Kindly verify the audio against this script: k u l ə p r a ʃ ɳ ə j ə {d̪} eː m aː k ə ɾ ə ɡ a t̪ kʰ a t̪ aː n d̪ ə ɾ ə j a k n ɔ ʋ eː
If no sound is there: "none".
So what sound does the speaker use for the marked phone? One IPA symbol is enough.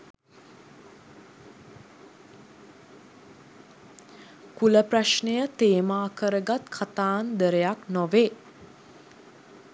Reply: t̪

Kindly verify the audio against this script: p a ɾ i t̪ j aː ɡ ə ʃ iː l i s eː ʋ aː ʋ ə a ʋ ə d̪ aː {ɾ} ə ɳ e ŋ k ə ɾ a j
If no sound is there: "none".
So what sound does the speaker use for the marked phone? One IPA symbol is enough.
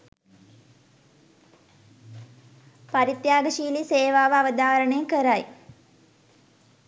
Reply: ɾ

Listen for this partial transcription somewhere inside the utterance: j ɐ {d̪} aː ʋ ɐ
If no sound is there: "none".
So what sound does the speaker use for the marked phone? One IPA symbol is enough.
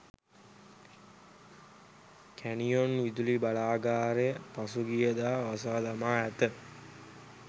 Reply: d̪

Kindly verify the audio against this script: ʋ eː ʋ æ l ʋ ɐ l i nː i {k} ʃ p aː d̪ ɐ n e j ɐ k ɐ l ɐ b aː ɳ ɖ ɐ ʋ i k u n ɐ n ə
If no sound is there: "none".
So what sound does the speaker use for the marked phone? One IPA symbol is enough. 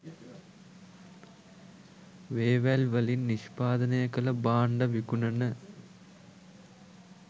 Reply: none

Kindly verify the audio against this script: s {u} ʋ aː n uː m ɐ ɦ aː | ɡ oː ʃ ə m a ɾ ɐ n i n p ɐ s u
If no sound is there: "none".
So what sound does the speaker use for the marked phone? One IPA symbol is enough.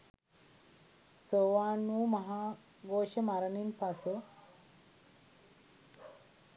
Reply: o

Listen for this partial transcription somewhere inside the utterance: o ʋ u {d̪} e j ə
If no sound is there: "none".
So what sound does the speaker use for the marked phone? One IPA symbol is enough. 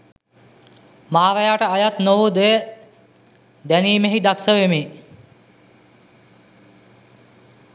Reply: d̪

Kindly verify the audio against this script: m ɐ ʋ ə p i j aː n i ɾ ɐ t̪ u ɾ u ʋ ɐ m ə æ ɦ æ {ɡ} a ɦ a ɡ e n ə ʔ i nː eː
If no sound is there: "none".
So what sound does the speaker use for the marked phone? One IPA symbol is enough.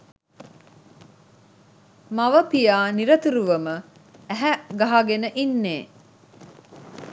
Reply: ɡ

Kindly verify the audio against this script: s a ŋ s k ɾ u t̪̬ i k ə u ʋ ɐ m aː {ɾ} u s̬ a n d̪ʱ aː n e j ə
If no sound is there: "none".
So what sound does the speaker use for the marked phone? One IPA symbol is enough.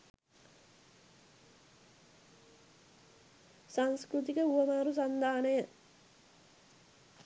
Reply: ɾ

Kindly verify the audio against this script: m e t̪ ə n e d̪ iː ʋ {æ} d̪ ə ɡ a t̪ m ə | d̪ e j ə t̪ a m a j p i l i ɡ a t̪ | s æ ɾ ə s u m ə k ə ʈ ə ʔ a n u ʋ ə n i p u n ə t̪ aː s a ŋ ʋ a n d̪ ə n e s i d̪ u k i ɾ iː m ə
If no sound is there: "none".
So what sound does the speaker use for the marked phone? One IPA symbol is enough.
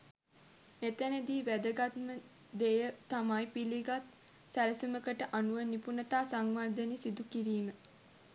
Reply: æ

